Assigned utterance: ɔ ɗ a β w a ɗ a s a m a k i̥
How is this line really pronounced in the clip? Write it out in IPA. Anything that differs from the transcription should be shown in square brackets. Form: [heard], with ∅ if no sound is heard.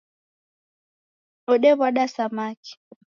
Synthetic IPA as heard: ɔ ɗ [ɛ] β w a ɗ a s a m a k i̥

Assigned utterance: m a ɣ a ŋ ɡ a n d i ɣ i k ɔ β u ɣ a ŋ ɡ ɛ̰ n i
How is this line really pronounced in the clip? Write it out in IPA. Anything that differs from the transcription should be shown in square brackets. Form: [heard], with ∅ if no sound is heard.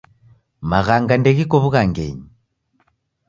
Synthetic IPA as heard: m a ɣ a ŋ ɡ a n d [ɛ] ɣ i k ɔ β u ɣ a ŋ ɡ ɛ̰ [ɲ] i

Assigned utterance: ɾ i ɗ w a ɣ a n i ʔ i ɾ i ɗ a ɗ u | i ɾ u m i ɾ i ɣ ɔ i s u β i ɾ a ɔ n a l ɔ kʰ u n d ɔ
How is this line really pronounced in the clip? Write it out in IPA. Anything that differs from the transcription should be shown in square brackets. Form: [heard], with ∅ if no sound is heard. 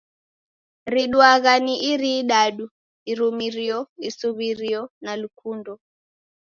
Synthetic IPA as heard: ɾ i ɗ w a ɣ a n i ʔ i ɾ i ɗ a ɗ u | i ɾ u m i ɾ i [∅] ɔ i s u β i ɾ [i] ɔ n a l [u] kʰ u n d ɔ

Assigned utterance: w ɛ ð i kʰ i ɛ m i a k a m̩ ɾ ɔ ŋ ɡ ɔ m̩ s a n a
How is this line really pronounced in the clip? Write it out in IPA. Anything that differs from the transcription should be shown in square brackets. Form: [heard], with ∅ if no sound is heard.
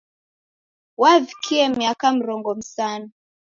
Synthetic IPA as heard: w [a] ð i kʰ i ɛ m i a k a m̩ ɾ ɔ ŋ ɡ ɔ m̩ s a n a

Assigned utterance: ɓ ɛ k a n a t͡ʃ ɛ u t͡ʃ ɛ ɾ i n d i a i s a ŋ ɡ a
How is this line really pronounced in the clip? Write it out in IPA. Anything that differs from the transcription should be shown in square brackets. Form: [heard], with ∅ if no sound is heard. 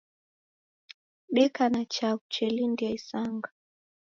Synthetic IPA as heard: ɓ ɛ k a n a t͡ʃ [a] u t͡ʃ ɛ [l] i n d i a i s a ŋ ɡ a

